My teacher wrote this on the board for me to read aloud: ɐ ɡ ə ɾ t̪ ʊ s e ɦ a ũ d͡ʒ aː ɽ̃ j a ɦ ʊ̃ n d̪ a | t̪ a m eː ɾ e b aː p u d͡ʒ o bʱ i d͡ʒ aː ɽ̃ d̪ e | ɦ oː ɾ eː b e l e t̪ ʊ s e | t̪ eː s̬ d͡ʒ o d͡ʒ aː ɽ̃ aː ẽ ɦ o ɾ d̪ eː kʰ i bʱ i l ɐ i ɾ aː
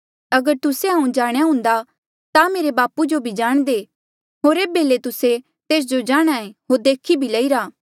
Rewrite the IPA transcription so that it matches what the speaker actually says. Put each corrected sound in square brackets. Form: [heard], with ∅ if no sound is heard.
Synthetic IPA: ɐ ɡ ə ɾ t̪ ʊ s e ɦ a ũ d͡ʒ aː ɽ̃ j a ɦ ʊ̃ n d̪ a | t̪ a m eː ɾ e b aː p u d͡ʒ o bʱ i d͡ʒ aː ɽ̃ d̪ e | ɦ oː ɾ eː b e l e t̪ ʊ s e | t̪ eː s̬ d͡ʒ o d͡ʒ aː ɽ̃ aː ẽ ɦ o ɾ d̪ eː kʰ i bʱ i l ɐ i ɾ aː